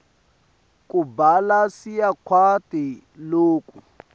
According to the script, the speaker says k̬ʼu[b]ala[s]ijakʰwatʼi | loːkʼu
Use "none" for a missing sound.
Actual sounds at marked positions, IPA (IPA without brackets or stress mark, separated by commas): b, s